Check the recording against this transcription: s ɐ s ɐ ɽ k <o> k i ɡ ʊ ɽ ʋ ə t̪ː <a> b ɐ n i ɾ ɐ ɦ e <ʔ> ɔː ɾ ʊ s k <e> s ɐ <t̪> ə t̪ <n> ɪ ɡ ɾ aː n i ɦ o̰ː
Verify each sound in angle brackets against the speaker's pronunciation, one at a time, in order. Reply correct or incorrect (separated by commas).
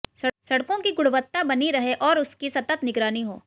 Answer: incorrect, correct, correct, incorrect, correct, correct